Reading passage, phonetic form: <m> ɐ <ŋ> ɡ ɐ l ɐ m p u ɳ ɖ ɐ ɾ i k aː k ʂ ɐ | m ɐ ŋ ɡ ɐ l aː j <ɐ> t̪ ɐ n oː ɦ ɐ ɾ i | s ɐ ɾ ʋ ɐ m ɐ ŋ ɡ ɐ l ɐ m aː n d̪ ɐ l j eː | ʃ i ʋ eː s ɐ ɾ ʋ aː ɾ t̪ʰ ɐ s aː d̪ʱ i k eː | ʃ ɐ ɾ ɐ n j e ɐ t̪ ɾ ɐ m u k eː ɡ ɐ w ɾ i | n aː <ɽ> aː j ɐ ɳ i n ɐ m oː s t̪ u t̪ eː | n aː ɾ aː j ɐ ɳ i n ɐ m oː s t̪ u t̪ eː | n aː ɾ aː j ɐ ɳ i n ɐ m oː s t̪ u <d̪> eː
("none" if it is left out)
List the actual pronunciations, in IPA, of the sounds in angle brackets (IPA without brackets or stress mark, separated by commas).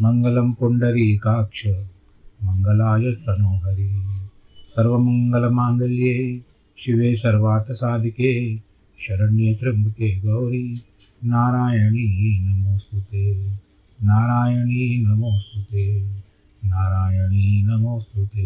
m, ŋ, ɐ, ɾ, t̪